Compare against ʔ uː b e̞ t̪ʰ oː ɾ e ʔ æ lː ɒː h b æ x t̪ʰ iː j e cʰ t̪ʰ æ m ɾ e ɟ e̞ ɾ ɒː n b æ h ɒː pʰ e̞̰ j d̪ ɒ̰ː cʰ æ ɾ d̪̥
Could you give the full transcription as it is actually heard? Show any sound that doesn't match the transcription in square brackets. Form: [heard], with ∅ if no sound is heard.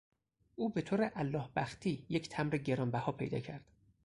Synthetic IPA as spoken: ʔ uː b e̞ t̪ʰ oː ɾ e ʔ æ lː ɒː h b æ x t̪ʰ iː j e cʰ t̪ʰ æ m ɾ e ɟ e̞ ɾ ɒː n b æ h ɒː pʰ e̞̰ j d̪ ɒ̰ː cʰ æ ɾ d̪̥